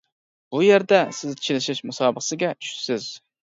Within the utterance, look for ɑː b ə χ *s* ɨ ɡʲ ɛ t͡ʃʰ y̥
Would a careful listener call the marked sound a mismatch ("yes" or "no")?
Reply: no